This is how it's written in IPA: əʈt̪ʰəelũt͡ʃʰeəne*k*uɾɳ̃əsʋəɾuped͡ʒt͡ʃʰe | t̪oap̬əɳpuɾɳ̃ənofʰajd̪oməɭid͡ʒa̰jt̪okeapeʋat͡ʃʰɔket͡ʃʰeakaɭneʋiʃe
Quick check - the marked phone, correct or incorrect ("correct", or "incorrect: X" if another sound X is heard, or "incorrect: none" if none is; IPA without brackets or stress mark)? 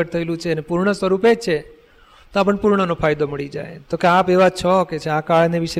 incorrect: p